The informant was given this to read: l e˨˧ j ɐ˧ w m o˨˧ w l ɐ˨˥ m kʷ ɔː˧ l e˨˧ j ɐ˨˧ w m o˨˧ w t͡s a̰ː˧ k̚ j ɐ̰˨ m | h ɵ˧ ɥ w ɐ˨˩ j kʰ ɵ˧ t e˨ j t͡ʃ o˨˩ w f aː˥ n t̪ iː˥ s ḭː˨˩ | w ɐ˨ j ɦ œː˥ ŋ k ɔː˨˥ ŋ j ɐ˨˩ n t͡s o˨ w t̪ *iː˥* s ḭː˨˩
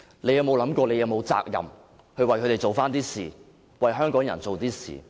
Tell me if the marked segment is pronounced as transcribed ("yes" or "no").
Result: yes